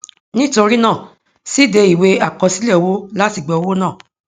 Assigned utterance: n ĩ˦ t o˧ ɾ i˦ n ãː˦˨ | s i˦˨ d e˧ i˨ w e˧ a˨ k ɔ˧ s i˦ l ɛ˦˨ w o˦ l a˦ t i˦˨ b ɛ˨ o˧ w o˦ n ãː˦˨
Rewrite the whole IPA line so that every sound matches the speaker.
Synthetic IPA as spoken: n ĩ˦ t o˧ ɾ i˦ n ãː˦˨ | s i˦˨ d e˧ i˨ w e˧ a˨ k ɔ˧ s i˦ l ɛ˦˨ w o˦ l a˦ t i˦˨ ɡ͡b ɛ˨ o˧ w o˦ n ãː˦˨